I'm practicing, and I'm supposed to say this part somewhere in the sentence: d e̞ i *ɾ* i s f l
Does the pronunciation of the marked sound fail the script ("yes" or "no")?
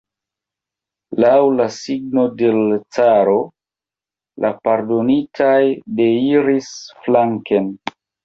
no